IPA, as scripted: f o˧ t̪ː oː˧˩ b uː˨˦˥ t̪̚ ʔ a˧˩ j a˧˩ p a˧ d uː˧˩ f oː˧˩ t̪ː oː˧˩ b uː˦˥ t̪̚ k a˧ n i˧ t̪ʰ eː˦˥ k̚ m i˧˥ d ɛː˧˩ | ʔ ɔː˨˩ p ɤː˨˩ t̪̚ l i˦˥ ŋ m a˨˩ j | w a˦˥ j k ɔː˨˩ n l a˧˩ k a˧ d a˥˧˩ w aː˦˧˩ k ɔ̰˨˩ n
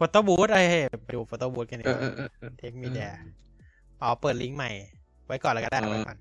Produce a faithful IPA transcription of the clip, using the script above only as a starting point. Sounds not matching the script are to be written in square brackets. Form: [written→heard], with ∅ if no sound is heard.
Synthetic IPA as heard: f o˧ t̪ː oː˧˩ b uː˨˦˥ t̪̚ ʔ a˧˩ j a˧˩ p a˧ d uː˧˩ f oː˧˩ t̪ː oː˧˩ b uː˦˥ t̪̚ k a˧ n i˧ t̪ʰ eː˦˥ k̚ m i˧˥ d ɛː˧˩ | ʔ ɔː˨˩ p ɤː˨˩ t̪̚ l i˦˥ ŋ m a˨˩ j | w a˦˥ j k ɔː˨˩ n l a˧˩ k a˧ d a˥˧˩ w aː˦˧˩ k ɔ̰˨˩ n